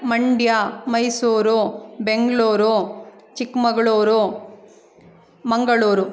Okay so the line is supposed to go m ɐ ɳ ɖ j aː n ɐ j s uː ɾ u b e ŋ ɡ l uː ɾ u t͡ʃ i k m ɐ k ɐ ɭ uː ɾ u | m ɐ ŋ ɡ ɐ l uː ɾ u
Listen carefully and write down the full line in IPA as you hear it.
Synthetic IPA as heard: m ɐ ɳ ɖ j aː m ɐ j s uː ɾ u b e ŋ ɡ ɭ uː ɾ u t͡ʃ i k m ɐ ɡ ɐ ɭ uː ɾ u | m ɐ ŋ ɡ ɐ ɭ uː ɾ u